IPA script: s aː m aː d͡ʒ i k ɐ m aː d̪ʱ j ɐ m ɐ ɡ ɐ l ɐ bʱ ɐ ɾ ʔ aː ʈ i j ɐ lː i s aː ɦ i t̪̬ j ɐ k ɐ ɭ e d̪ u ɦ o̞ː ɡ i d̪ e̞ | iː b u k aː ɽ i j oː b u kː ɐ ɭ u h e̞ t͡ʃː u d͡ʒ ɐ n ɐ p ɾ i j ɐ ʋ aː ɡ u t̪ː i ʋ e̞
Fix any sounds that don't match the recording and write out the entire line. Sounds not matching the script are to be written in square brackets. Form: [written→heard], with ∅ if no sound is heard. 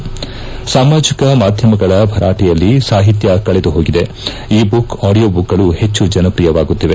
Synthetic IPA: s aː m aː d͡ʒ i k ɐ m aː d̪ʱ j ɐ m ɐ ɡ ɐ [l→ɭ] ɐ bʱ ɐ ɾ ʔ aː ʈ i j ɐ lː i s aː ɦ i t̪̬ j ɐ k ɐ ɭ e d̪ u ɦ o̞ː ɡ i d̪ e̞ | iː b u k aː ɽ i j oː b u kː ɐ ɭ u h e̞ t͡ʃː u d͡ʒ ɐ n ɐ p ɾ i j ɐ ʋ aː ɡ u t̪ː i ʋ e̞

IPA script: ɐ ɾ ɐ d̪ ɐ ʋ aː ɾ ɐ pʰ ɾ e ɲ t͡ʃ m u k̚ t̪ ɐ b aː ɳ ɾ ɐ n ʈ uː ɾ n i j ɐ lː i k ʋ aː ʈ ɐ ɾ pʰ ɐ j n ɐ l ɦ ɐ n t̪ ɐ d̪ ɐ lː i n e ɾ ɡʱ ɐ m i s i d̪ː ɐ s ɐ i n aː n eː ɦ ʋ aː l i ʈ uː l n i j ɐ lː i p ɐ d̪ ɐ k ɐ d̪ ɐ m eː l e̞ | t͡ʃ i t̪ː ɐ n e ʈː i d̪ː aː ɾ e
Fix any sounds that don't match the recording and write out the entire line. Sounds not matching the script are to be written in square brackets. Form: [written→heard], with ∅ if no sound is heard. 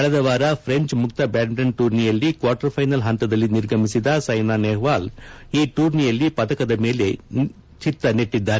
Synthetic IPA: ɐ [ɾ→ɭ] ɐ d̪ ɐ ʋ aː ɾ ɐ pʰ ɾ e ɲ t͡ʃ m u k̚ t̪ ɐ b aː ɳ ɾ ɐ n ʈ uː ɾ n i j ɐ lː i k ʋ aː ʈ ɐ ɾ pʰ ɐ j n ɐ l ɦ ɐ n t̪ ɐ d̪ ɐ lː i n [e→i] ɾ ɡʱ ɐ m i s i [d̪ː→d̪] ɐ s ɐ [i→j] n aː n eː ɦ ʋ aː l [i→iː] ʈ uː [l→ɾ] n i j ɐ lː i p ɐ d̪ ɐ k ɐ d̪ ɐ m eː l e̞ | t͡ʃ i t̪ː ɐ n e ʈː i d̪ː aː ɾ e

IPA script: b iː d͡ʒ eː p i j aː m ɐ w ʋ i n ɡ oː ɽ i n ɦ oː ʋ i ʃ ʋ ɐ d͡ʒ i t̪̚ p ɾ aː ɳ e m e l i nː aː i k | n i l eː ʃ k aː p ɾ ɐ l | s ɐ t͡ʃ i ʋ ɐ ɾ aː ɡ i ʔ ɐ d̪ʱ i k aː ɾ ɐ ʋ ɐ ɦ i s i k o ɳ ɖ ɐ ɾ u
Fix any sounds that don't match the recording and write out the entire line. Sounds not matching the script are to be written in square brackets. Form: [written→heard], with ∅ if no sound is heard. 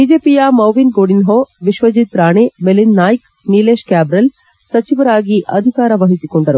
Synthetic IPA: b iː d͡ʒ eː p i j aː m ɐ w ʋ i n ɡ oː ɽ i n ɦ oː ʋ i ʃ ʋ ɐ d͡ʒ i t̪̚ p ɾ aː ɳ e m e l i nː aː [i→j] k | n i l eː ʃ k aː [p→b] ɾ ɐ l | s ɐ t͡ʃ i ʋ ɐ ɾ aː ɡ i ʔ ɐ d̪ʱ i k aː ɾ ɐ ʋ ɐ ɦ i s i k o ɳ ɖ ɐ ɾ u

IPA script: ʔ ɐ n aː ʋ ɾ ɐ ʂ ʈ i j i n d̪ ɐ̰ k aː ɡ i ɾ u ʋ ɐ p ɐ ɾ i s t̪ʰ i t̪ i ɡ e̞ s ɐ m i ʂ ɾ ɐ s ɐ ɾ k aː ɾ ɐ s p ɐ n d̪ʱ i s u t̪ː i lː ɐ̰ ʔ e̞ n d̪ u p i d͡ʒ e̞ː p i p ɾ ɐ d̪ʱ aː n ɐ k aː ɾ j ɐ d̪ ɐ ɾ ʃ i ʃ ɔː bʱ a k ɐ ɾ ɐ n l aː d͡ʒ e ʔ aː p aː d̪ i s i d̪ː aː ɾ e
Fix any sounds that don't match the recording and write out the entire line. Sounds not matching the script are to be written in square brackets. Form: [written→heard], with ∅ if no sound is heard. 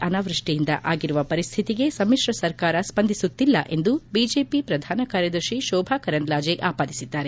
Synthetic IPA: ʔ ɐ n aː ʋ ɾ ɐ ʂ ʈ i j i n d̪ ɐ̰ [k→ʔ] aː ɡ i ɾ u ʋ ɐ p ɐ ɾ i s t̪ʰ i t̪ i ɡ e̞ s ɐ m i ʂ ɾ ɐ s ɐ ɾ k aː ɾ ɐ s p ɐ n d̪ʱ i s u t̪ː i lː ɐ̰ ʔ e̞ n d̪ u [p→b] i d͡ʒ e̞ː p i p ɾ ɐ d̪ʱ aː n ɐ k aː ɾ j ɐ d̪ ɐ ɾ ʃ i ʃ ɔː bʱ a k ɐ ɾ ɐ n l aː d͡ʒ e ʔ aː p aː d̪ i s i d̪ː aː ɾ e

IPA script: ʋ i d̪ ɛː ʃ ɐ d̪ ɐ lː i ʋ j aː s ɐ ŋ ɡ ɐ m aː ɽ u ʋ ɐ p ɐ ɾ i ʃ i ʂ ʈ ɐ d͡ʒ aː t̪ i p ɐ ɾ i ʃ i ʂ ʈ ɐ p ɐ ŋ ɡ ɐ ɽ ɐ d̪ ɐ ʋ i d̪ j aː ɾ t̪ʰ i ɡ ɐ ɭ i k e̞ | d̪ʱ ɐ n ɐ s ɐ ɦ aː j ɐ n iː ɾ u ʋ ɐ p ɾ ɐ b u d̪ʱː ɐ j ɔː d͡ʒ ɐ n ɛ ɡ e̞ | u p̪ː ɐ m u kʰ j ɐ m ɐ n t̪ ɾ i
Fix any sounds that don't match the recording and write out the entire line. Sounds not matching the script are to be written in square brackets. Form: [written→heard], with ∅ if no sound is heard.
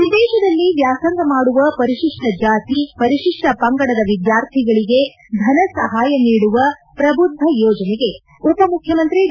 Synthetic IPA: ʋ i d̪ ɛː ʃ ɐ d̪ ɐ lː i ʋ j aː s ɐ ŋ ɡ ɐ m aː ɽ u ʋ ɐ p ɐ ɾ i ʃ i ʂ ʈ ɐ d͡ʒ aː t̪ i p ɐ ɾ i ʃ i ʂ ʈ ɐ p ɐ ŋ ɡ ɐ ɽ ɐ d̪ ɐ ʋ i d̪ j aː ɾ t̪ʰ i ɡ ɐ ɭ i [k→ɡ] e̞ | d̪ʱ ɐ n ɐ s ɐ ɦ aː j ɐ n iː [ɾ→ɽ] u ʋ ɐ p ɾ ɐ b u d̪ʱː ɐ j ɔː d͡ʒ ɐ n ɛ ɡ e̞ | u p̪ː ɐ m u kʰ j ɐ m ɐ n t̪ ɾ i

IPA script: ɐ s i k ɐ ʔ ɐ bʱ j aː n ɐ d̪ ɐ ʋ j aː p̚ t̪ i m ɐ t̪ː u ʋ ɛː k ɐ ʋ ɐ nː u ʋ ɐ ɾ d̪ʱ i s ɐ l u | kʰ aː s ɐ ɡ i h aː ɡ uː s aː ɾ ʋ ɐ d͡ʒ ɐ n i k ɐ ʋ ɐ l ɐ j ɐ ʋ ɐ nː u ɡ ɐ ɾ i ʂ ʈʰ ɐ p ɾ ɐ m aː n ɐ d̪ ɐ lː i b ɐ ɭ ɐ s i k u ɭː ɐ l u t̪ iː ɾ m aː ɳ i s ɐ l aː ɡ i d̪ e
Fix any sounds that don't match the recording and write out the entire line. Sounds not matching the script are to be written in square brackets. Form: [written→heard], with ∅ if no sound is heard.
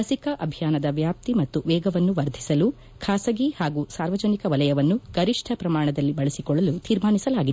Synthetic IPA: ɐ s i k ɐ ʔ ɐ bʱ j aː n ɐ d̪ ɐ ʋ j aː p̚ t̪ i m ɐ t̪ː u ʋ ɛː [k→ɡ] ɐ ʋ ɐ nː u ʋ ɐ ɾ d̪ʱ i s ɐ l u | kʰ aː s ɐ ɡ i h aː ɡ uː s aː ɾ ʋ ɐ d͡ʒ ɐ n i k ɐ ʋ ɐ l ɐ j ɐ ʋ ɐ nː u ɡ ɐ ɾ i ʂ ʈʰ ɐ p ɾ ɐ m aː [n→ɳ] ɐ d̪ ɐ lː i b ɐ ɭ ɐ s i k [u→ɔ] ɭː ɐ l u t̪ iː ɾ m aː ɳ i s ɐ l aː ɡ i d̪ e

